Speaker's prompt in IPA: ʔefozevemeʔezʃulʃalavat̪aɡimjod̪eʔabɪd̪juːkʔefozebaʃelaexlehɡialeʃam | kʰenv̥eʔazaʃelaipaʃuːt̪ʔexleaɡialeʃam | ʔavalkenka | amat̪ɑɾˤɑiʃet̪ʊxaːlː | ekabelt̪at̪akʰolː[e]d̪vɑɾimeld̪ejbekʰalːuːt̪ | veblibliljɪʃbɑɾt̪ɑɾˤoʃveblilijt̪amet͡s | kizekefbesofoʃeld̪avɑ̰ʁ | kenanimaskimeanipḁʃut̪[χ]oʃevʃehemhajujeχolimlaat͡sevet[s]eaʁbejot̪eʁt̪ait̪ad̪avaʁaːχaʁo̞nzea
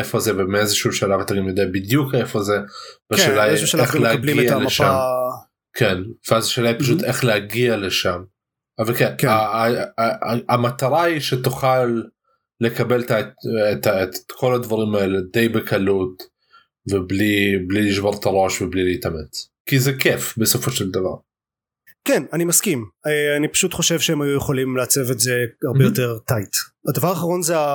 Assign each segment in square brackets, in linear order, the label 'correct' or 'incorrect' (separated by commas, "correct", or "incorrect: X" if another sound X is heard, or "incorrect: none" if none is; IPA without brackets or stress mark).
incorrect: a, correct, incorrect: z